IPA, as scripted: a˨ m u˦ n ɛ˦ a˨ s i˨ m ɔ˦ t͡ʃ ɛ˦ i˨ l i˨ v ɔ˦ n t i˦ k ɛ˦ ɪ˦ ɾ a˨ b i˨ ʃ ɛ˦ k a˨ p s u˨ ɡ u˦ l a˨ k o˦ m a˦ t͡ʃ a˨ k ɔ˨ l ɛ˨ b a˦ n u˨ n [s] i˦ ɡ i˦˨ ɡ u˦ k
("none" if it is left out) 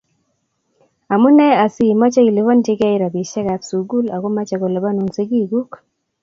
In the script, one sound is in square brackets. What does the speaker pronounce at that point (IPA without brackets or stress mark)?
s